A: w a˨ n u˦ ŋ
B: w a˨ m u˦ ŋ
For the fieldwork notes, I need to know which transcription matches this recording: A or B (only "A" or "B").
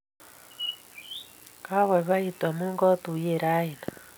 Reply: B